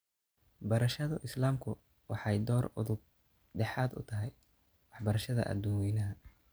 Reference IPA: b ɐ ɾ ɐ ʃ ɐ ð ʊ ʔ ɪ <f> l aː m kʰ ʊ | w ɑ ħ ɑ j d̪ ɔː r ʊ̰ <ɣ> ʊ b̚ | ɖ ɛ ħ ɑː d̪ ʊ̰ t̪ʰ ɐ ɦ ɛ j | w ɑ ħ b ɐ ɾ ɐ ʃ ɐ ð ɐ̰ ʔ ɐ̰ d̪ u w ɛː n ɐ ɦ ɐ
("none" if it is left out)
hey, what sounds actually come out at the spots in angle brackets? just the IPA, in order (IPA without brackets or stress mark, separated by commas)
s, ð